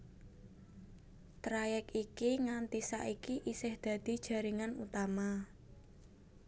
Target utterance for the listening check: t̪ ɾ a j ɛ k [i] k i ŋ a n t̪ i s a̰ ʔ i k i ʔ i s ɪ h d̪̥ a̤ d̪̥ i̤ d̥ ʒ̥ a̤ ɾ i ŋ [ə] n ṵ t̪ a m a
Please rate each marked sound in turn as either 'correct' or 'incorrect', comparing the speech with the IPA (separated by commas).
correct, incorrect